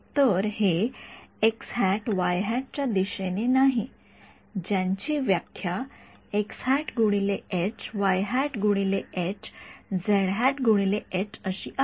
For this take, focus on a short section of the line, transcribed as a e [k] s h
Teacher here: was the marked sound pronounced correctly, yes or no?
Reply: yes